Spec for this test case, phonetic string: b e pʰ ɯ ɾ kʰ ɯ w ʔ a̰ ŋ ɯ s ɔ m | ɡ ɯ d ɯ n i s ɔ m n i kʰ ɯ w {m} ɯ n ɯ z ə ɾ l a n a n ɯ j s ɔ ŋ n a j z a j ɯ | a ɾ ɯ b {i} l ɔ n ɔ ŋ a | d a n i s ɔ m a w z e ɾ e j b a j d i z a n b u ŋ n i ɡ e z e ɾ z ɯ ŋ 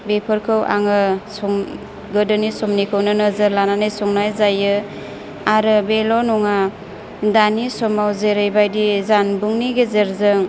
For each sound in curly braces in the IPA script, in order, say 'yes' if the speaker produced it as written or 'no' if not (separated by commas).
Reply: no, no